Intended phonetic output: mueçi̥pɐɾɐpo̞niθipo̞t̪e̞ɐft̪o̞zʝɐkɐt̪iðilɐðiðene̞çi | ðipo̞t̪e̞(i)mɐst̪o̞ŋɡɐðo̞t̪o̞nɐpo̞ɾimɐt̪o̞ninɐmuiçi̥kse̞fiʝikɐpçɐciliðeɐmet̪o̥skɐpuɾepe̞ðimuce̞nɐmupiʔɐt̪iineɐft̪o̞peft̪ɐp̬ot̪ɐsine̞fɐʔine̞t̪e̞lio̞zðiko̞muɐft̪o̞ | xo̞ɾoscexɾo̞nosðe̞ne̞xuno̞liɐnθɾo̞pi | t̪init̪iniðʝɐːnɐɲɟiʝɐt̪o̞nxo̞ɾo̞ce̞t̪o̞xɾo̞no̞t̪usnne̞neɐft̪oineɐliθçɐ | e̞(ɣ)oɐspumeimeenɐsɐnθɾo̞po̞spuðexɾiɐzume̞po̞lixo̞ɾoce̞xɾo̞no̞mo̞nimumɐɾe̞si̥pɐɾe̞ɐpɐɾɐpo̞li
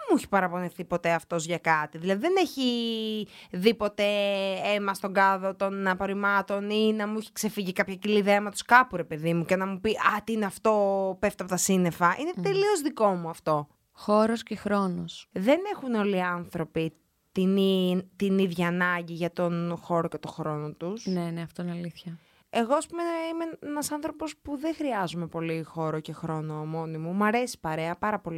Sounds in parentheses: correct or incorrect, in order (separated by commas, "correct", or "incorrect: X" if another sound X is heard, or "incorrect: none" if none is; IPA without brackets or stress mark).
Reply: incorrect: e, correct